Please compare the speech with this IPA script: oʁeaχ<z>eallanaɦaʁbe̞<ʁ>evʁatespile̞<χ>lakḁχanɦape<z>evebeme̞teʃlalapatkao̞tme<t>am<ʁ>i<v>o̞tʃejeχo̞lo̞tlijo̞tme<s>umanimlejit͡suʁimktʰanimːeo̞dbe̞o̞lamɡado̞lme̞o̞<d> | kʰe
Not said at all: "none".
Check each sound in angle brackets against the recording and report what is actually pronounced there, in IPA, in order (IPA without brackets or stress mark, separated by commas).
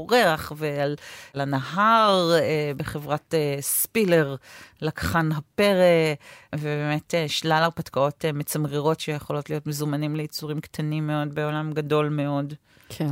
v, χ, ʁ, ʁ, t͡s, ʁ, ʁ, z, d